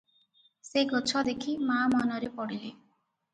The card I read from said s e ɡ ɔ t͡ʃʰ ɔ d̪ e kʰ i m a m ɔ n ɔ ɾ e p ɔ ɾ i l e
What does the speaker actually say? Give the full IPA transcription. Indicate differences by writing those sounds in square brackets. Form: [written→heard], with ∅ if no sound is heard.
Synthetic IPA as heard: s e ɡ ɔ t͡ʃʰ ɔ d̪ e kʰ i m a m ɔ n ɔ ɾ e p ɔ [ɾ→ɽ] i l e